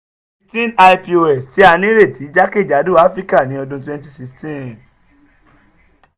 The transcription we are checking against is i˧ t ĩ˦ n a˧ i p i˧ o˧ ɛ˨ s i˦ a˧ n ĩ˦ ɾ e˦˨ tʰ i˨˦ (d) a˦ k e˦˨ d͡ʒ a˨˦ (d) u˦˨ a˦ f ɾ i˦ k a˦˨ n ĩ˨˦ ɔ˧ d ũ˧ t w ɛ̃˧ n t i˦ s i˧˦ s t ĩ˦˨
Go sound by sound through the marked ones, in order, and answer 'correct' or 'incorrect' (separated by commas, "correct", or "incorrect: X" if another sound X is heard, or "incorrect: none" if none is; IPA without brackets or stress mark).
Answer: incorrect: d͡ʒ, correct